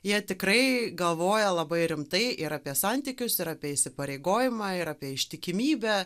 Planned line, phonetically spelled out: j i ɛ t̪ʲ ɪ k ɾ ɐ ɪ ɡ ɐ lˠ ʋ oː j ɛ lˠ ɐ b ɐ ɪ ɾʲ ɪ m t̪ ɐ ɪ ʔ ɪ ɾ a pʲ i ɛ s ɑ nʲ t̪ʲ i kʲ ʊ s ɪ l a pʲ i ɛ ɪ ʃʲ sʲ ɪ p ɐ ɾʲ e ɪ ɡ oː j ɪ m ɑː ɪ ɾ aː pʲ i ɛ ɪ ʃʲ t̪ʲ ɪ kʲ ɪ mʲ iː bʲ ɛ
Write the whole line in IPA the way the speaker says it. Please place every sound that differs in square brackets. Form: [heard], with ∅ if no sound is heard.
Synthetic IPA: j i ɛ t̪ʲ ɪ k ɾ ɐ ɪ ɡ ɐ lˠ ʋ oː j ɛ lˠ ɐ b ɐ ɪ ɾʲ ɪ m t̪ ɐ ɪ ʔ ɪ ɾ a pʲ i ɛ s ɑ nʲ t̪ʲ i kʲ ʊ s ɪ [ɾ] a pʲ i ɛ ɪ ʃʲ sʲ ɪ p ɐ ɾʲ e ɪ ɡ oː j ɪ m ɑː ɪ ɾ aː pʲ i ɛ ɪ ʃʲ t̪ʲ ɪ kʲ ɪ mʲ iː bʲ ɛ